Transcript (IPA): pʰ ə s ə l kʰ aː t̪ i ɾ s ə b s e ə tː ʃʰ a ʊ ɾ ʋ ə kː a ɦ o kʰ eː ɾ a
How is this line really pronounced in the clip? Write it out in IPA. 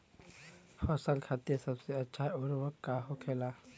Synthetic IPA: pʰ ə s ə l kʰ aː t̪ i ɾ s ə b s e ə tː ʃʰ a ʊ ɾ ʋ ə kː a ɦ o kʰ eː l a